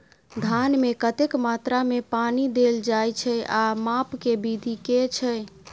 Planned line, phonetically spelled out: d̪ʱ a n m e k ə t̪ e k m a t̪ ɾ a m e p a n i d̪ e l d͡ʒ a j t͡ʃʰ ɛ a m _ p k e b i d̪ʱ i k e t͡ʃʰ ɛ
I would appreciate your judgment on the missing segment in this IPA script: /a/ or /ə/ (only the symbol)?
a